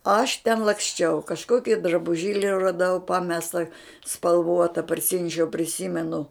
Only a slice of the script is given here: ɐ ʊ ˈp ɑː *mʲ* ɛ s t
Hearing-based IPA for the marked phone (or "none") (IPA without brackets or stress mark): mʲ